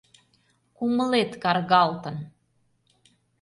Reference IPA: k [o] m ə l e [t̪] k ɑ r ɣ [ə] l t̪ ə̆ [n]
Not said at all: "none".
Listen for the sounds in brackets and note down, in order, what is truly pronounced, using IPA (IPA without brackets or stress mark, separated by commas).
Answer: u, t̪, ɑ, n